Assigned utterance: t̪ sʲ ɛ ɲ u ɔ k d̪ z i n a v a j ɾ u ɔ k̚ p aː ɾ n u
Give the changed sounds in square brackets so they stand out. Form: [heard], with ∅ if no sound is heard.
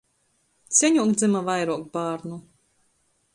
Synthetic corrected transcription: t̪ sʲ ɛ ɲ u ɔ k d̪ z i [m] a v a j ɾ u ɔ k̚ [b] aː ɾ n u